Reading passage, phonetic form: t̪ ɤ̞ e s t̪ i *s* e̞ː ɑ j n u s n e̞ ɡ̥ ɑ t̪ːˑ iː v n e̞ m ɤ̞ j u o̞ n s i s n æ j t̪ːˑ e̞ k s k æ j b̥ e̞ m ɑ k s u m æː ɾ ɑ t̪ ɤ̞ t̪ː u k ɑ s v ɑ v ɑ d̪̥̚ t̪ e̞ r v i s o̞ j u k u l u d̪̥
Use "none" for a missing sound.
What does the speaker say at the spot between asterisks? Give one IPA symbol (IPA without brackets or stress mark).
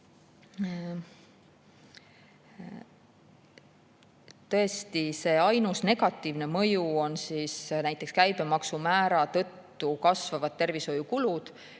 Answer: s